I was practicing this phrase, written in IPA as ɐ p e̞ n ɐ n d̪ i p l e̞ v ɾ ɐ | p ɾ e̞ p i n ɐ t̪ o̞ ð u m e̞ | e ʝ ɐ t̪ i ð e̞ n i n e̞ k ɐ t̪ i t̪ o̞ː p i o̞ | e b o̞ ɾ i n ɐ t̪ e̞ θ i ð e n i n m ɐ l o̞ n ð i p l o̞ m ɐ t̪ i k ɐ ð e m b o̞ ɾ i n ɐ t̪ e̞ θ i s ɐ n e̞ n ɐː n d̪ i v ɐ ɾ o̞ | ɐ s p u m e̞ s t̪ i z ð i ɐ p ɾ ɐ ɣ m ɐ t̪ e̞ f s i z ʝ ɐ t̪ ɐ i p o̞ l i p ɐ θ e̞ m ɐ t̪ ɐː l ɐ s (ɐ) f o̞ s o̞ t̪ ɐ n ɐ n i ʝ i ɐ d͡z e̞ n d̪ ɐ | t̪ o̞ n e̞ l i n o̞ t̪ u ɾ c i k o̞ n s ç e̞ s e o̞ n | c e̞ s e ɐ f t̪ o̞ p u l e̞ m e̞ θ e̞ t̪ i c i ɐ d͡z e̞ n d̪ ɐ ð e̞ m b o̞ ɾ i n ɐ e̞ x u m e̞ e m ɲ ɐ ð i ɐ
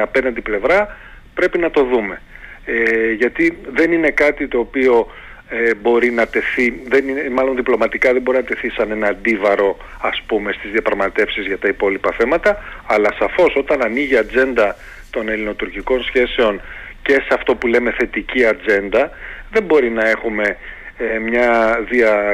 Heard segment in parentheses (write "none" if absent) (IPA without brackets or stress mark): ɐ